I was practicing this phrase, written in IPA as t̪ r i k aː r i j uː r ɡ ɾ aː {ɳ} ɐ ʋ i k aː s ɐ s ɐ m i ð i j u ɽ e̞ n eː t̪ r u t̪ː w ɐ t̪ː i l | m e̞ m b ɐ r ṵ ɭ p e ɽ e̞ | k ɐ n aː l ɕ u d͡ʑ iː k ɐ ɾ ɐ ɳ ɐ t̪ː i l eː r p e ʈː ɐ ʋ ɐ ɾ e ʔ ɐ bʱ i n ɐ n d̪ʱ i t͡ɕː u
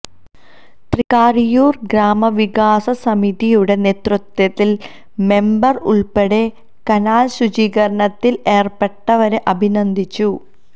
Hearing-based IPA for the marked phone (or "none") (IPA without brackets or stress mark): m